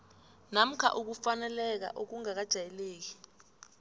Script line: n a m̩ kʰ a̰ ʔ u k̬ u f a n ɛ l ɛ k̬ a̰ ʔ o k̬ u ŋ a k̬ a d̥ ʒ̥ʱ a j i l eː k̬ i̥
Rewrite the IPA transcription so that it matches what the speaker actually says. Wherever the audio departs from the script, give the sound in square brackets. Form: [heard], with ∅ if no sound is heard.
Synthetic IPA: n a m̩ kʰ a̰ ʔ u k̬ u f a n ɛ l ɛ k̬ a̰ ʔ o k̬ u ŋ a k̬ a d̥ ʒ̥ʱ a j [ɛ] l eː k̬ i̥